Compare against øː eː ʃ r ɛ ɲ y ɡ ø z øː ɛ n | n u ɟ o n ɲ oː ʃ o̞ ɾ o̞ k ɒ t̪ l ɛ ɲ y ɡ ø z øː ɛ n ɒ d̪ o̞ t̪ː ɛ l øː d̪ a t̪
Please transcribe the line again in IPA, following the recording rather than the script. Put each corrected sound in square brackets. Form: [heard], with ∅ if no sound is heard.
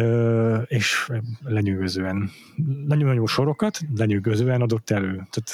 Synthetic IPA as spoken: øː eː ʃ [l] ɛ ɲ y ɡ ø z øː ɛ n | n [ɒ] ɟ o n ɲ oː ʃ o̞ ɾ o̞ k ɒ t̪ l ɛ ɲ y ɡ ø z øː ɛ n ɒ d̪ o̞ t̪ː ɛ l øː [t̪] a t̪